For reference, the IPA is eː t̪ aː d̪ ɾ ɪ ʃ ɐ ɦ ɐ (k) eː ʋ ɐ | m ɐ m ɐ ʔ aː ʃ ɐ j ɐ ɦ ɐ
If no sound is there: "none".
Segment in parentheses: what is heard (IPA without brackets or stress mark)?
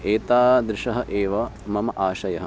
ʔ